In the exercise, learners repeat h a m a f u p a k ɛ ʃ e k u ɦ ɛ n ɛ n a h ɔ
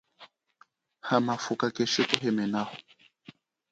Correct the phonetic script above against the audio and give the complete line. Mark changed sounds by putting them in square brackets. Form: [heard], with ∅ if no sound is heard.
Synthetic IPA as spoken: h a m a f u [k] a k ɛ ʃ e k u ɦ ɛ [m] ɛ n a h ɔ

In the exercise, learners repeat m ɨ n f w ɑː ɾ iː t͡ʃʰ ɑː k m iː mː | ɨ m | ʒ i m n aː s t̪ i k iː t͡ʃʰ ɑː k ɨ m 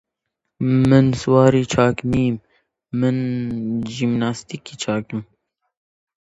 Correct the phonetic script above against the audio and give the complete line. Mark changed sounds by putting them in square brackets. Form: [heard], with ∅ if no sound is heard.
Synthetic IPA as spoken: m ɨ n [s] w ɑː ɾ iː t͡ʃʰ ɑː k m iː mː | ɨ [n] | ʒ i m n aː s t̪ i k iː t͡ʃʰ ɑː k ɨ m

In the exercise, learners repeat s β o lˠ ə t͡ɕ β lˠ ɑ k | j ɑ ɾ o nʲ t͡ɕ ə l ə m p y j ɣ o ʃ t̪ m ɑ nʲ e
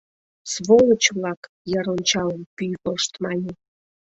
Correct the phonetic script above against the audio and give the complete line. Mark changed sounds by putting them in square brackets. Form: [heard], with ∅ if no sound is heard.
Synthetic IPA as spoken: s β o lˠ ə t͡ɕ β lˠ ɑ k | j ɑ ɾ o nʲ t͡ɕ [ɑ] l ə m p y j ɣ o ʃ t̪ m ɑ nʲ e

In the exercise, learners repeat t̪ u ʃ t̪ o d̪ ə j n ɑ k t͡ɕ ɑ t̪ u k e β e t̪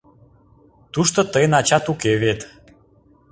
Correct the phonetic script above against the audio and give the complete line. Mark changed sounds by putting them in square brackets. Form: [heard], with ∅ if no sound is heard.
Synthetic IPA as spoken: t̪ u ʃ t̪ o [t̪] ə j n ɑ [∅] t͡ɕ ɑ t̪ u k e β e t̪

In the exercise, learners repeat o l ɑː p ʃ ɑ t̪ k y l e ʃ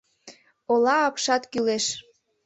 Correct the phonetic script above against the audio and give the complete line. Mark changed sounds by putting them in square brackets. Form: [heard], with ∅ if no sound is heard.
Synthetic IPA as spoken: o l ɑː p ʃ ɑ t̪ k y l e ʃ

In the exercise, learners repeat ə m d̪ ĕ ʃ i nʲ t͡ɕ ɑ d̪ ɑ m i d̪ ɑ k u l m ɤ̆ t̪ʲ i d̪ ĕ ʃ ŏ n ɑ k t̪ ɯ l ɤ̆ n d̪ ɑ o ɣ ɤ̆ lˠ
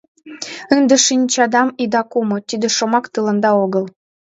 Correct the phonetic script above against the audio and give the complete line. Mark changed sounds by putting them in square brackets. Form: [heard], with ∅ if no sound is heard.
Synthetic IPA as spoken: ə [n] d̪ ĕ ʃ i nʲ t͡ɕ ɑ d̪ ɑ m i d̪ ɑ k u [∅] m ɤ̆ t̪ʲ i d̪ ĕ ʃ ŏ [m] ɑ k t̪ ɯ l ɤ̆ n d̪ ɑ o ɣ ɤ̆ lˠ

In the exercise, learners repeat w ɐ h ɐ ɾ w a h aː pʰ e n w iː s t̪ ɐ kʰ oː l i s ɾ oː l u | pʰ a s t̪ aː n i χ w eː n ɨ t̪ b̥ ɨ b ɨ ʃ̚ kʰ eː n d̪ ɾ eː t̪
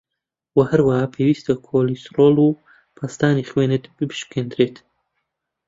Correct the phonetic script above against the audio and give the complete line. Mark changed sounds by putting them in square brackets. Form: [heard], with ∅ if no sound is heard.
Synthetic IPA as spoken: w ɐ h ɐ ɾ w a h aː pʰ e [∅] w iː s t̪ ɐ kʰ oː l i s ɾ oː l u | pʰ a s t̪ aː n i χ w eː n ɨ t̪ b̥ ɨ b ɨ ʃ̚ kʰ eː n d̪ ɾ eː t̪

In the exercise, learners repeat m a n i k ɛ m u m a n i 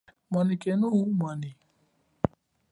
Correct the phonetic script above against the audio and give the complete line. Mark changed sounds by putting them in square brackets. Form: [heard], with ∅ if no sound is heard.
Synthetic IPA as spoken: m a n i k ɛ [n] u m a n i

